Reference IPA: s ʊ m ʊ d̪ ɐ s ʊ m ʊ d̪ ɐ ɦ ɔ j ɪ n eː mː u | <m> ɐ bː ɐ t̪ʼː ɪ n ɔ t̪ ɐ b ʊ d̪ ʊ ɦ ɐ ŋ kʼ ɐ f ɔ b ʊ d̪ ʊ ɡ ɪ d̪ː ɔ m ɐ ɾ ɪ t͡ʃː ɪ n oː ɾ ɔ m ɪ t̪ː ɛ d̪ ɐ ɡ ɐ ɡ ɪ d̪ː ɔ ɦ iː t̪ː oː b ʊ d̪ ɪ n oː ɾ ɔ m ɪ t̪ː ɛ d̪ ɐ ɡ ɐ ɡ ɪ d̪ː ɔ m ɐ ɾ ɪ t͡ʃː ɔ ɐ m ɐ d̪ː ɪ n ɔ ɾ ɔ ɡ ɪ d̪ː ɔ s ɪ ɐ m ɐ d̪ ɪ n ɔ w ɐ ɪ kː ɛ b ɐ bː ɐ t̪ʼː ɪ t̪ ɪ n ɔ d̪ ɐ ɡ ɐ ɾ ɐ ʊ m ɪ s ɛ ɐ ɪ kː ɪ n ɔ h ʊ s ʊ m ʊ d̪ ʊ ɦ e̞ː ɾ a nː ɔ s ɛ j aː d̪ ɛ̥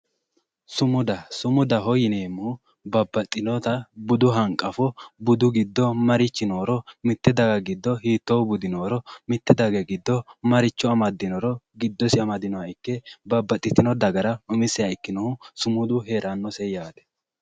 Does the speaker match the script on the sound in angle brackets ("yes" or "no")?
no